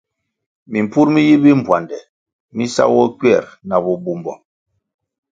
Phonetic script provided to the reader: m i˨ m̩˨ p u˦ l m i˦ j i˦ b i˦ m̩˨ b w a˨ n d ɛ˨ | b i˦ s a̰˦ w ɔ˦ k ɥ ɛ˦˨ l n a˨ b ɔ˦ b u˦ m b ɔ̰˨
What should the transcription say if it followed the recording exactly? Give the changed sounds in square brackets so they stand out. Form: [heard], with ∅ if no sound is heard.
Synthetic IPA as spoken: m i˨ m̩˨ p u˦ [ɾ] m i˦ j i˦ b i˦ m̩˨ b w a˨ n d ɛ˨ | [m] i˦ s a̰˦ w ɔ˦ k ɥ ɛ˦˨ [ɾ] n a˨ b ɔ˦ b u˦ m b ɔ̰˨